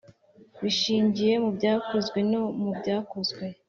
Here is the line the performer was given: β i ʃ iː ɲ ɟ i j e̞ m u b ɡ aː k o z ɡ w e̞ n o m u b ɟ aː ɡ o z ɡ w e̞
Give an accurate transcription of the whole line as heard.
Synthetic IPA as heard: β i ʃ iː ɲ ɟ i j e̞ m u b ɟ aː k o z ɡ w e̞ n o m u b ɟ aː k o z ɡ w e̞